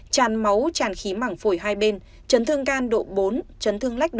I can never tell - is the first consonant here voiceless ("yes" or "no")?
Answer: yes